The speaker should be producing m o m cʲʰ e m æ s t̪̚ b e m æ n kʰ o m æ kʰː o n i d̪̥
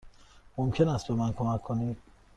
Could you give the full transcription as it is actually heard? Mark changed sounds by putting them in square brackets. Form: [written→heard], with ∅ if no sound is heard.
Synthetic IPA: m o m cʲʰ e [m→n] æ s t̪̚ b e m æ n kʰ o m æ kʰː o n i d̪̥

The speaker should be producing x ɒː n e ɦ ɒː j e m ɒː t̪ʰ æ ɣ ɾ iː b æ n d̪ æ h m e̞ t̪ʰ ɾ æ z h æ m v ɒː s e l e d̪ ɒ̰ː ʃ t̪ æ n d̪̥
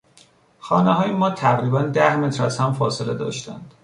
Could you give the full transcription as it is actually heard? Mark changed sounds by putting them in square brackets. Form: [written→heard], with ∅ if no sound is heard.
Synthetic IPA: x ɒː n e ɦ ɒː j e m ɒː t̪ʰ æ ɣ ɾ iː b æ n d̪ æ h m e̞ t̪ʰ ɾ æ z h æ m [v→f] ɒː s e l e d̪ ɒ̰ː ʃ t̪ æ n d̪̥

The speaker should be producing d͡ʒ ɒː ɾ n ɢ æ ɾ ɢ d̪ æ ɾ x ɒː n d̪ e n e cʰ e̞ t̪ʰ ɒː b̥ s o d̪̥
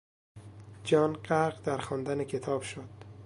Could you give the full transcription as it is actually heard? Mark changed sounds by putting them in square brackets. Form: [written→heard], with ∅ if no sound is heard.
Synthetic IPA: d͡ʒ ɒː [ɾ→∅] n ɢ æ ɾ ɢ d̪ æ ɾ x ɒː n d̪ [e→æ] n e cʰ e̞ t̪ʰ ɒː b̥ [s→ʃ] o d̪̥

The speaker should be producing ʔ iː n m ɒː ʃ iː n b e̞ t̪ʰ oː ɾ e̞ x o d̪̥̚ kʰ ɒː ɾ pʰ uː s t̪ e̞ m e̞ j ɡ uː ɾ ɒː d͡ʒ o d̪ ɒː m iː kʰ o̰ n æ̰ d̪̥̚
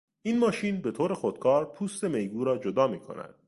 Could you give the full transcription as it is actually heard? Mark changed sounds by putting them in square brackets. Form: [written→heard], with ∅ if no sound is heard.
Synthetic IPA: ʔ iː n m ɒː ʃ iː n b e̞ t̪ʰ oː ɾ e̞ x o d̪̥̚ kʰ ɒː ɾ pʰ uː s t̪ e̞ m e̞ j ɡ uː ɾ ɒː d͡ʒ o d̪ ɒː m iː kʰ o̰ n æ̰ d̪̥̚

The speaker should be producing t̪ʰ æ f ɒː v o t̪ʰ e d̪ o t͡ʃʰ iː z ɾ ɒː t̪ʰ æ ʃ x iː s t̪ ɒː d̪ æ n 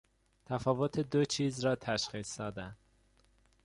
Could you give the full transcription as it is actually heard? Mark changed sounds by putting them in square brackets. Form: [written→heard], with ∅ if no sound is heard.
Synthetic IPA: t̪ʰ æ f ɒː v o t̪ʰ e d̪ o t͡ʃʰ iː z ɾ ɒː t̪ʰ æ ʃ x iː s [t̪→d̪] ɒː d̪ æ n

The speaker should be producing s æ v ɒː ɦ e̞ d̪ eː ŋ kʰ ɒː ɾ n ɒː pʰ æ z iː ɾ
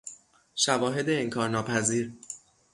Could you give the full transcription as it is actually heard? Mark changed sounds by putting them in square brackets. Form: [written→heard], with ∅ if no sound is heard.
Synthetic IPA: [s→ʃ] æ v ɒː ɦ e̞ d̪ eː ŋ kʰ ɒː ɾ n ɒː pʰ æ z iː ɾ

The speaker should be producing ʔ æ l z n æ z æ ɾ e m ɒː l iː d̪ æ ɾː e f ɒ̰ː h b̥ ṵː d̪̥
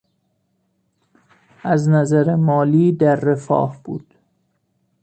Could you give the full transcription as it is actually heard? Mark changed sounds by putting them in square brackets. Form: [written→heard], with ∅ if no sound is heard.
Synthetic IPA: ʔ æ [l→∅] z n æ z æ ɾ e m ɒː l iː d̪ æ ɾː e f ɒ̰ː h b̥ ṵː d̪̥

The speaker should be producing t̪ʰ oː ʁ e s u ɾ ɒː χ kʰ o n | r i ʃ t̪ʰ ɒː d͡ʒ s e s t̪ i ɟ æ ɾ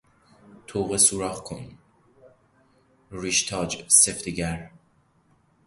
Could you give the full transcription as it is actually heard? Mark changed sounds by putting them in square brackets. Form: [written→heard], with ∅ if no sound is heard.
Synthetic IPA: t̪ʰ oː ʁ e s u ɾ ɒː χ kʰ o n | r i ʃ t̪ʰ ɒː d͡ʒ s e [s→f] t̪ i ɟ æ ɾ

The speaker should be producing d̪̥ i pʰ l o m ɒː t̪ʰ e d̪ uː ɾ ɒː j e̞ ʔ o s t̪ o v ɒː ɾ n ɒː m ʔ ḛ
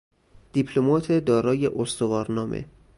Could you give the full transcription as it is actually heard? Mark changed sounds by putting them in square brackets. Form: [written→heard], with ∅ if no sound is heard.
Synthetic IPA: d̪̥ i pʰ l o m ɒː t̪ʰ e d̪ [uː→ɒː] ɾ ɒː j e̞ ʔ o s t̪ o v ɒː ɾ n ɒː m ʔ ḛ

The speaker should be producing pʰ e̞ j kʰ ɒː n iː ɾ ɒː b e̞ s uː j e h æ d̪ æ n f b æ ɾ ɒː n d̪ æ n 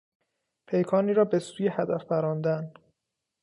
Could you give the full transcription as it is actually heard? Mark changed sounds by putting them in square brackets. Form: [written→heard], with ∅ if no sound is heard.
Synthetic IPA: pʰ e̞ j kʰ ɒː n iː ɾ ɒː b e̞ s uː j e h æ d̪ æ [n→∅] f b æ ɾ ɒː n d̪ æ n

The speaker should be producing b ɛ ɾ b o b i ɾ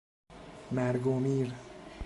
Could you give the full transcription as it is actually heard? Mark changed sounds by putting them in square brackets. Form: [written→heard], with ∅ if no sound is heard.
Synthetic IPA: [b→m] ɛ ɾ [b→ɡ] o [b→m] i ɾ

